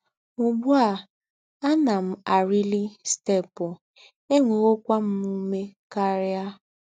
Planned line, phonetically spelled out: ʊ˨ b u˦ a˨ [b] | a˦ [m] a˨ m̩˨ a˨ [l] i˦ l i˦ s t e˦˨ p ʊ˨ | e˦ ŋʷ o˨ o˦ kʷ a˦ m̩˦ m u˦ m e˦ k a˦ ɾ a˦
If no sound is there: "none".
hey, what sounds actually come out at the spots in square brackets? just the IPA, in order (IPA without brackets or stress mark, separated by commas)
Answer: none, n, ɾ